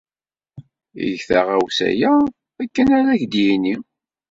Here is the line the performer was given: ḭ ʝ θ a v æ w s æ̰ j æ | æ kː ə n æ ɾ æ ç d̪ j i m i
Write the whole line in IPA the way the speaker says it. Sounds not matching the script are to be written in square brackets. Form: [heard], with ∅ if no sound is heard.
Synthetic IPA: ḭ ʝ θ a [ʁ] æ w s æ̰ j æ | æ kː ə n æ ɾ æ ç d̪ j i [n] i